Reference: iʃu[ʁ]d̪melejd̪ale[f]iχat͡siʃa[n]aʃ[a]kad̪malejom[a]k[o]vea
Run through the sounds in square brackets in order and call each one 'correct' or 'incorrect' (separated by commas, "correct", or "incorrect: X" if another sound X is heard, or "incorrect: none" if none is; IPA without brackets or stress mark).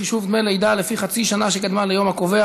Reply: incorrect: v, correct, correct, incorrect: e, correct, correct